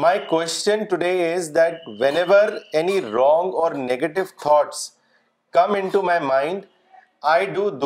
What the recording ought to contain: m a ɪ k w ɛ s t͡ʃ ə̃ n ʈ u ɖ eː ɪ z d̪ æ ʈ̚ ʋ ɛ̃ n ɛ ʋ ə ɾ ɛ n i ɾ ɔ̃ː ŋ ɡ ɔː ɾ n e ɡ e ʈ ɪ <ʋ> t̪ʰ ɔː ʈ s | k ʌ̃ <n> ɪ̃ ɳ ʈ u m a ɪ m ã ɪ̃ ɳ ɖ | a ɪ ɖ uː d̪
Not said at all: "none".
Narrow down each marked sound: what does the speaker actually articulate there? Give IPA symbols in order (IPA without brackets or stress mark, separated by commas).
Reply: ʋ, m